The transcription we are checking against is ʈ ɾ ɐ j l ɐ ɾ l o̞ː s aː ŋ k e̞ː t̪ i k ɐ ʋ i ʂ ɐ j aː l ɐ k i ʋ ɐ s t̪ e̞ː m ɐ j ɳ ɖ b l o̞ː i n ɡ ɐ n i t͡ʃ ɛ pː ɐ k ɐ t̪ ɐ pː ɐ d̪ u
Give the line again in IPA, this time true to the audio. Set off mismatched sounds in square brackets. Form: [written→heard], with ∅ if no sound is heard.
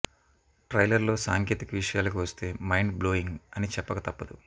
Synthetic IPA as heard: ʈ ɾ ɐ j l ɐ ɾ l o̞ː s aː ŋ k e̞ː t̪ i k ɐ ʋ i ʂ ɐ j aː l ɐ k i ʋ ɐ s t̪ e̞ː m ɐ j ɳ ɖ b l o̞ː i [n→ŋ] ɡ ɐ n i t͡ʃ ɛ pː ɐ k ɐ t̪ ɐ pː ɐ d̪ u